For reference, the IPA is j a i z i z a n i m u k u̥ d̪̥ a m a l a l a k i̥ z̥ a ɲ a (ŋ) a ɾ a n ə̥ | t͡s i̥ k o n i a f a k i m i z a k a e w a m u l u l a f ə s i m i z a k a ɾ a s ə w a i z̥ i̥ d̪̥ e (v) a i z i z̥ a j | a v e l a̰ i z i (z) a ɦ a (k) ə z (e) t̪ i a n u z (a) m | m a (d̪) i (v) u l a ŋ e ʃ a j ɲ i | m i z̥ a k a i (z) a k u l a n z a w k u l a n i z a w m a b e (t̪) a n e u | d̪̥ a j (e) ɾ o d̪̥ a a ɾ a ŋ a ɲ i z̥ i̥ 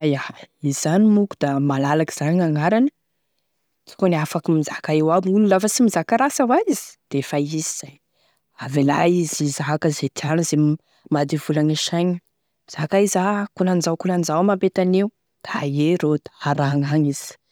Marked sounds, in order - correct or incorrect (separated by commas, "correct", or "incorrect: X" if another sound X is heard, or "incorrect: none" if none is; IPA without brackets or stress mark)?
correct, incorrect: f, correct, correct, correct, incorrect: e, correct, correct, correct, correct, correct